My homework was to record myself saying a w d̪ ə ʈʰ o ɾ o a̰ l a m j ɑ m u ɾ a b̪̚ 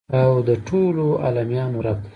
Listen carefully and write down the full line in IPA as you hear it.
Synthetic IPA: a w d̪ ə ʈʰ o l o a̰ l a m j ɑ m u ɾ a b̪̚